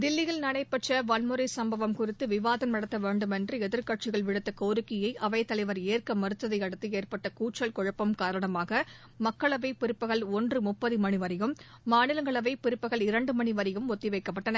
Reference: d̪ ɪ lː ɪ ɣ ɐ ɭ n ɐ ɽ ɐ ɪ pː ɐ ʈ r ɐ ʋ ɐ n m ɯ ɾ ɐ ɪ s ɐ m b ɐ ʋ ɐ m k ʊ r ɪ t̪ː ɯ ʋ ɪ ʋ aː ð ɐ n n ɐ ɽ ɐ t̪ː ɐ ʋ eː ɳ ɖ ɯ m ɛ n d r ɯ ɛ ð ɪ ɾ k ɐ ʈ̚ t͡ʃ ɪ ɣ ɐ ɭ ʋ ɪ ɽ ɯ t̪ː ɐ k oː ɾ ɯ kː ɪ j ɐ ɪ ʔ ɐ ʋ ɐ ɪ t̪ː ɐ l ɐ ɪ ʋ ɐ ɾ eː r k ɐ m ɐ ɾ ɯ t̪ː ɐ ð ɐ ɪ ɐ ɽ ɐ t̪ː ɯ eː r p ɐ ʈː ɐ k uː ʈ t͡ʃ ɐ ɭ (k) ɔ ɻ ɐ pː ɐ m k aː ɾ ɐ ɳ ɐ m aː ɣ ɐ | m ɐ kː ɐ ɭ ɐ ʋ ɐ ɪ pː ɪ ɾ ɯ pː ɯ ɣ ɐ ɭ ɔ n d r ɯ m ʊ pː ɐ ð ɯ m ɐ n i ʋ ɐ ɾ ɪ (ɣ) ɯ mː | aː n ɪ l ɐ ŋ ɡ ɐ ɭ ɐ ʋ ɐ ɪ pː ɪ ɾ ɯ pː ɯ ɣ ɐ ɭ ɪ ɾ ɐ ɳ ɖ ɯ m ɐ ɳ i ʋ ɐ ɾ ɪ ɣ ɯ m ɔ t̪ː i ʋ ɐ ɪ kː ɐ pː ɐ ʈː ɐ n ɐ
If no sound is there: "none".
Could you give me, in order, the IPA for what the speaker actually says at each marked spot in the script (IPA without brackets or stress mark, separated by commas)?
k, ɣ